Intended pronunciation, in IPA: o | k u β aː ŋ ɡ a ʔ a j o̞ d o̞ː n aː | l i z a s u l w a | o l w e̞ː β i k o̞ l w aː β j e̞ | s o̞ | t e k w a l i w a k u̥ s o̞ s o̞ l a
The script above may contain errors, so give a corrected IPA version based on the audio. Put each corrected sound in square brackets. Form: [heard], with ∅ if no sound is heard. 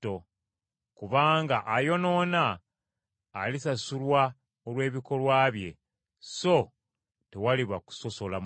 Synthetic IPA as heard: o | k u β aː ŋ ɡ a ʔ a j o̞ [n] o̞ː n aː | l i [s] a s u l w a | o l w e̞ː β i k o̞ l w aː β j e̞ | s o̞ | t e [∅] w a l i [β] a k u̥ s o̞ s o̞ l a